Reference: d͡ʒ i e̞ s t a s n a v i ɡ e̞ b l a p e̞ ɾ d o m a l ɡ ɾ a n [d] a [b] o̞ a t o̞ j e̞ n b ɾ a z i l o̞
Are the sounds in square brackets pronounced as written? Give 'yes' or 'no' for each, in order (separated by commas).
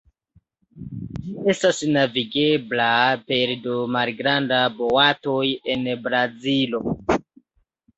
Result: yes, yes